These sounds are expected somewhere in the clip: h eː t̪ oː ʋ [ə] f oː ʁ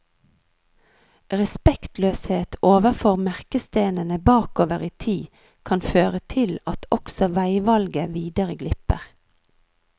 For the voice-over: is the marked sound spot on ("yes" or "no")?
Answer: yes